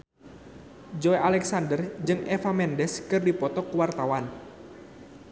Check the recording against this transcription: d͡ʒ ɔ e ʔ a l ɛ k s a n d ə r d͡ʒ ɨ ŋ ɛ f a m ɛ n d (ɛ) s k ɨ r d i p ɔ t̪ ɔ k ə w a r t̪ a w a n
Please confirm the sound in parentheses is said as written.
yes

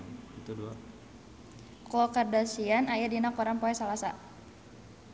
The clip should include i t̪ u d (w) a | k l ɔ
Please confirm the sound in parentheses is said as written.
no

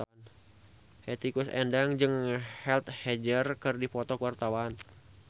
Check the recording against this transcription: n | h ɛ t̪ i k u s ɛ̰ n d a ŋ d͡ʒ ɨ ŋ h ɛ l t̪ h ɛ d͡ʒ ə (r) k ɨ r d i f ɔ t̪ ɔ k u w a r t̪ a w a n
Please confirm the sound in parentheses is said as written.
yes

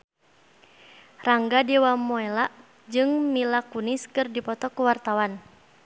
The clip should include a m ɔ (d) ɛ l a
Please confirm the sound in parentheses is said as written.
no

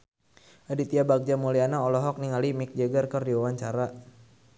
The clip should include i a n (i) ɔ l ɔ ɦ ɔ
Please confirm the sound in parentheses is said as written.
no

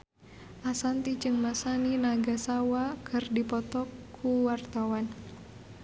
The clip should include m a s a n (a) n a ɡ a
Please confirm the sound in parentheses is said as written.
no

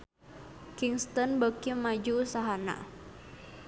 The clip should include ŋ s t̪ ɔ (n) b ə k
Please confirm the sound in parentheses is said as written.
yes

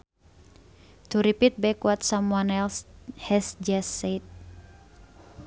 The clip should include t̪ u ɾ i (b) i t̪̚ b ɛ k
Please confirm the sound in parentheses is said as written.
no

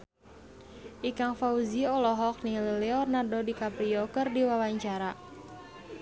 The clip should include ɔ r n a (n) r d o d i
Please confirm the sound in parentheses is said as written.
no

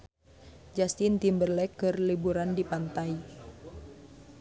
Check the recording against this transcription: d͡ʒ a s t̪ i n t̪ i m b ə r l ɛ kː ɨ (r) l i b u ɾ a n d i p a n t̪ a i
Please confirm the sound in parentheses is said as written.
yes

